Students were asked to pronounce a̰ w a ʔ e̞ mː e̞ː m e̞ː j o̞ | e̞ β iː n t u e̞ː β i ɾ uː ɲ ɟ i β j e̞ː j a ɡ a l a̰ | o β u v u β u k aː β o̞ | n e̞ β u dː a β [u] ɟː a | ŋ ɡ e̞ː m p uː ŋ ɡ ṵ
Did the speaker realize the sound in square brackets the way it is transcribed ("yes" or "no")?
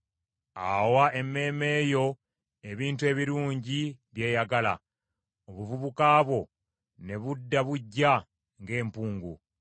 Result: yes